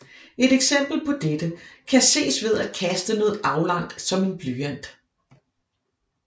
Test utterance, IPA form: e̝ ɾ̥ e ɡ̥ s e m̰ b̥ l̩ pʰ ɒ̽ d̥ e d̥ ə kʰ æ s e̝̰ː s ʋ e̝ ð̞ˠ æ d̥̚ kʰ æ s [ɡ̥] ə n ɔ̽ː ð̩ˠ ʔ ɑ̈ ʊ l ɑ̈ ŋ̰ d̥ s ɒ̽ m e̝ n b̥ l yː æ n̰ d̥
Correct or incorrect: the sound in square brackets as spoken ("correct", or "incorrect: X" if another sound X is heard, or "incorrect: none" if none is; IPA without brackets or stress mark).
incorrect: d̥